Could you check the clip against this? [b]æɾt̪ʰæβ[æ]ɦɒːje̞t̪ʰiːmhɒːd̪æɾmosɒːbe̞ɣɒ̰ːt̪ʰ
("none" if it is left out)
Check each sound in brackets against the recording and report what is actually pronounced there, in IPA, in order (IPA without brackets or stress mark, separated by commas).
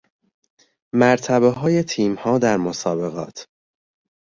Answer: m, e